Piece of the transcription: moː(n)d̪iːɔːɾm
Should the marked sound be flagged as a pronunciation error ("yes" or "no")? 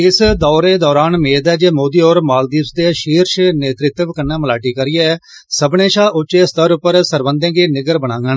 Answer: yes